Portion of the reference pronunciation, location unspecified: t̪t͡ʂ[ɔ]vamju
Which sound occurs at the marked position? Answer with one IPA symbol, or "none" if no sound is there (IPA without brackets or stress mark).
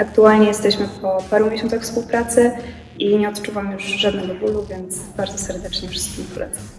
u